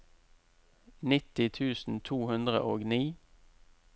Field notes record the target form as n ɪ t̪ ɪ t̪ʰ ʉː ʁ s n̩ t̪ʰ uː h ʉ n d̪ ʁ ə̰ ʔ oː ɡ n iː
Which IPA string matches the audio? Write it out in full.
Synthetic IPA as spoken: n ɪ t̪ ɪ t̪ʰ ʉː s n̩ t̪ʰ uː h ʉ n d̪ ʁ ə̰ ʔ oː ɡ n iː